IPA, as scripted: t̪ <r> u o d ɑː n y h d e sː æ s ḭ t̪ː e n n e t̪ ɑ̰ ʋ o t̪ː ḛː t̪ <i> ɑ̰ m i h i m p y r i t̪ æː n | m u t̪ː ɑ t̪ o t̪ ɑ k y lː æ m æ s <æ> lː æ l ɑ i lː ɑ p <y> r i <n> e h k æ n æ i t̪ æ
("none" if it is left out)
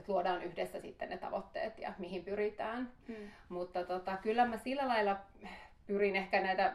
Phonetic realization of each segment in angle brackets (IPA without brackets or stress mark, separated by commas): l, j, i, y, n